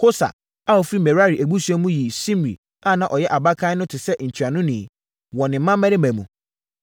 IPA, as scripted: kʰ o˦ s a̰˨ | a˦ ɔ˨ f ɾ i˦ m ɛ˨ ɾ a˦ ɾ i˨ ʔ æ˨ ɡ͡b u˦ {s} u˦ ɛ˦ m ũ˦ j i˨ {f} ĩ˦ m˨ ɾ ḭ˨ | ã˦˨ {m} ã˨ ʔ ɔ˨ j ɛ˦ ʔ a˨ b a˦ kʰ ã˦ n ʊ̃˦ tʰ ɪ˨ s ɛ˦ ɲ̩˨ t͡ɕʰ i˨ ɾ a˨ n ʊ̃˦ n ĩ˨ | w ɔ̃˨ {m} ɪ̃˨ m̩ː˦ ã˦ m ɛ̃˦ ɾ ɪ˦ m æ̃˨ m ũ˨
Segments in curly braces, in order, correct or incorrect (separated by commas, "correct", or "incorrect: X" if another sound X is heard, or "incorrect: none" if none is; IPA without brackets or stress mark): correct, incorrect: s, incorrect: n, incorrect: n